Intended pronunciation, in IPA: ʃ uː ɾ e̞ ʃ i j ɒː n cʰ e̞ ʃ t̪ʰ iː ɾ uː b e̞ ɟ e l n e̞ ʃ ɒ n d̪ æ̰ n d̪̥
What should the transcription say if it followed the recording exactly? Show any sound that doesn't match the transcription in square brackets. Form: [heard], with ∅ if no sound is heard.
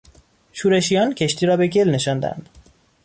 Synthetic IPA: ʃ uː ɾ e̞ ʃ i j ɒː n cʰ e̞ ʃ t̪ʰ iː ɾ [ɒː] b e̞ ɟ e l n e̞ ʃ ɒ n d̪ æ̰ n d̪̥